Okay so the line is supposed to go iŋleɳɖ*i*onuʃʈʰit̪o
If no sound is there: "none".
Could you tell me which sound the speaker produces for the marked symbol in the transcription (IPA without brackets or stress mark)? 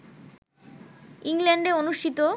e